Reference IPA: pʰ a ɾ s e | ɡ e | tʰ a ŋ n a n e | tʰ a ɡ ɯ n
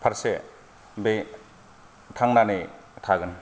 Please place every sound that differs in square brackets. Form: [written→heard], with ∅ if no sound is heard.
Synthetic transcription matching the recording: pʰ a ɾ s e | [ɡ→b] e | tʰ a ŋ n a n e | tʰ a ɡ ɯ n